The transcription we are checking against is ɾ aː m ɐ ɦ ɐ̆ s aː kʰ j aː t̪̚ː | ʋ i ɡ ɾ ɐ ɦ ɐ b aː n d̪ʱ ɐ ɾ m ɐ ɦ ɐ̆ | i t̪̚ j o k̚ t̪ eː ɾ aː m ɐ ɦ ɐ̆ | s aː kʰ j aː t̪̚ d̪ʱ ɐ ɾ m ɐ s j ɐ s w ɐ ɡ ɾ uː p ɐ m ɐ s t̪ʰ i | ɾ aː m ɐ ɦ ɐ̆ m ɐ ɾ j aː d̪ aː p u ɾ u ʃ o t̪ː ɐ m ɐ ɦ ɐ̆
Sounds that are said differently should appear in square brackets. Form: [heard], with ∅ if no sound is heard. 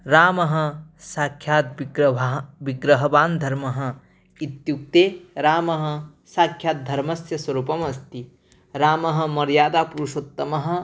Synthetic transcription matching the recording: ɾ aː m ɐ ɦ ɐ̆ s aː kʰ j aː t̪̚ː | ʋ i ɡ ɾ ɐ ɦ ɐ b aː n d̪ʱ ɐ ɾ m ɐ ɦ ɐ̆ | i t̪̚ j [u] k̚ t̪ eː ɾ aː m ɐ ɦ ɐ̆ | s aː kʰ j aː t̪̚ d̪ʱ ɐ ɾ m ɐ s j ɐ s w ɐ [∅] ɾ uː p ɐ m ɐ s [t̪] i | ɾ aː m ɐ ɦ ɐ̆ m ɐ ɾ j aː d̪ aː p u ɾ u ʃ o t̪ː ɐ m ɐ ɦ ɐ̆

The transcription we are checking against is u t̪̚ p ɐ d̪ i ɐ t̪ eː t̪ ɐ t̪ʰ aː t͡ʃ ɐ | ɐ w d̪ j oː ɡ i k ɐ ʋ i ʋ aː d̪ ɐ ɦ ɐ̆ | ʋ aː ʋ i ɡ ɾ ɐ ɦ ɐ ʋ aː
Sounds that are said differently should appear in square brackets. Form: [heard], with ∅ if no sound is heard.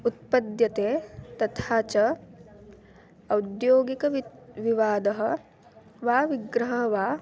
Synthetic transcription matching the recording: u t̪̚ p ɐ d̪ [j] ɐ t̪ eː t̪ ɐ t̪ʰ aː t͡ʃ ɐ | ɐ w d̪ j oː ɡ i k ɐ ʋ i ʋ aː d̪ ɐ ɦ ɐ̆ | ʋ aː ʋ i ɡ ɾ ɐ ɦ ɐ ʋ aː

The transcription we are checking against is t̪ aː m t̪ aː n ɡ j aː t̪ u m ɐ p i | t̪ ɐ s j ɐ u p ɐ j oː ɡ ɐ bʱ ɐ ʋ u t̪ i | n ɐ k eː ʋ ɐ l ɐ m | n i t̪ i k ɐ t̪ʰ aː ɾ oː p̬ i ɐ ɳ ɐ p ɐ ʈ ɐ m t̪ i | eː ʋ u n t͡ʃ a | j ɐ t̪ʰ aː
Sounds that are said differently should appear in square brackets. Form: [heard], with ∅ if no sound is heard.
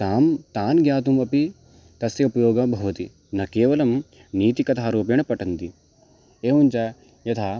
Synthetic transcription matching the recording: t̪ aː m t̪ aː n ɡ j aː t̪ u m ɐ p i | t̪ ɐ s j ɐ u p ɐ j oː ɡ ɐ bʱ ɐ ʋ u t̪ i | n ɐ k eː ʋ ɐ l ɐ m | n [iː] t̪ i k ɐ t̪ʰ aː ɾ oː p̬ [j] ɐ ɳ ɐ p ɐ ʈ ɐ [n] t̪ i | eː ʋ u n t͡ʃ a | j ɐ t̪ʰ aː

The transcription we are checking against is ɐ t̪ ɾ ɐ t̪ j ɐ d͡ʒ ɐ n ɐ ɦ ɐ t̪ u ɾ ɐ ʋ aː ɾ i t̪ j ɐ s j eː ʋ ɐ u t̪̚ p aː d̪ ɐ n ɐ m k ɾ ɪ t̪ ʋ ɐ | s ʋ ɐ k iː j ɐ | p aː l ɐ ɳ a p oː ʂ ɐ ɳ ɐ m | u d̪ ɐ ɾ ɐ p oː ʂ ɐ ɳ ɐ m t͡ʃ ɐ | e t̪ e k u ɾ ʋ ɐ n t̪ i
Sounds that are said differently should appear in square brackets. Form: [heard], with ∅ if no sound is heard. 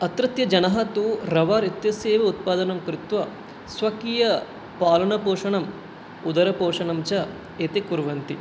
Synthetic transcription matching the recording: ɐ t̪ ɾ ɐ t̪ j ɐ d͡ʒ ɐ n ɐ ɦ ɐ t̪ u ɾ ɐ ʋ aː ɾ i t̪ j ɐ s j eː ʋ ɐ u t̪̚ p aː d̪ ɐ n ɐ m k ɾ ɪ t̪ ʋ ɐ | s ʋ ɐ k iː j ɐ | p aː l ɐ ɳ [ɐ] p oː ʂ ɐ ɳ ɐ m | u d̪ ɐ ɾ ɐ p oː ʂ ɐ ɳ ɐ m t͡ʃ ɐ | e t̪ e k u ɾ ʋ ɐ n t̪ i

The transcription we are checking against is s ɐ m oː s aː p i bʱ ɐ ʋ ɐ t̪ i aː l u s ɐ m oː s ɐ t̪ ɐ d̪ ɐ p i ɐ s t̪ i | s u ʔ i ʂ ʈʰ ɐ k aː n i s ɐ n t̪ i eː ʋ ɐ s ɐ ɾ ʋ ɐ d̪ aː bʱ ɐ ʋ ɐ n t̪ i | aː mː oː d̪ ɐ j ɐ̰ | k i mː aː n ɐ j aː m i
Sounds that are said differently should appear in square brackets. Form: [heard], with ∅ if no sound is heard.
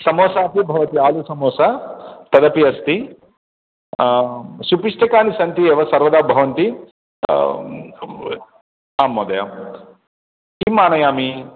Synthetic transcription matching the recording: s ɐ m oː s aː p i bʱ ɐ ʋ ɐ t̪ i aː l u s ɐ m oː s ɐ t̪ ɐ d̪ ɐ p i ɐ s t̪ i | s u [p] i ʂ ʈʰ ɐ k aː n i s ɐ n t̪ i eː ʋ ɐ s ɐ ɾ ʋ ɐ d̪ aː bʱ ɐ ʋ ɐ n t̪ i | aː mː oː d̪ ɐ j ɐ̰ | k i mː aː n ɐ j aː m i

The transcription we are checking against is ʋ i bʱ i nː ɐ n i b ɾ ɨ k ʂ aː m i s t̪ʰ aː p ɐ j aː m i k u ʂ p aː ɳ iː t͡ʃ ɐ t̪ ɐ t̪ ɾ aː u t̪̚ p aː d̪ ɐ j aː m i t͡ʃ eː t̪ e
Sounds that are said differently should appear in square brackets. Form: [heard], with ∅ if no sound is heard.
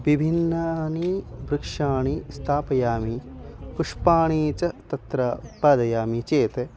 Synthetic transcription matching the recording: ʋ i bʱ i nː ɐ n i b ɾ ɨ k ʂ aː [ɳ] i s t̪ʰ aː p ɐ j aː m i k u ʂ p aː ɳ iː t͡ʃ ɐ t̪ ɐ t̪ ɾ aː u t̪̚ p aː d̪ ɐ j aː m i t͡ʃ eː t̪ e

